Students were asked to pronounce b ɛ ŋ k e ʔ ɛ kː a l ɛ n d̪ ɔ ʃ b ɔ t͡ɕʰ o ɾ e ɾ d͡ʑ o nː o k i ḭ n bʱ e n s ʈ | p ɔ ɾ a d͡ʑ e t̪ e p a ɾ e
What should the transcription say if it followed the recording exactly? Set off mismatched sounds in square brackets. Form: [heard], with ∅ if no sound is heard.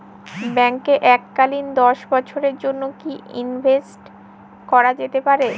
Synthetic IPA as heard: b ɛ ŋ k e ʔ ɛ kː a l [i] n d̪ ɔ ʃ b ɔ t͡ɕʰ o ɾ e ɾ d͡ʑ o nː o k i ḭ n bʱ e [∅] s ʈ | [k] ɔ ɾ a d͡ʑ e t̪ e p a ɾ e